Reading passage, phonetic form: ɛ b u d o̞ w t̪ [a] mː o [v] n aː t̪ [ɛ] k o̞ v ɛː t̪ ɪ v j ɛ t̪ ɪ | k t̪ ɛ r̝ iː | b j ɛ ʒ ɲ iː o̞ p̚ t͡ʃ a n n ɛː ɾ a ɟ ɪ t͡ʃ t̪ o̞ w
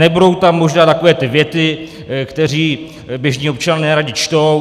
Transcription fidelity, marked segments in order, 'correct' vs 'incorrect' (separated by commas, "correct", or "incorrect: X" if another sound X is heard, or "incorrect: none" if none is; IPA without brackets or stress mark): correct, incorrect: ʒ, incorrect: a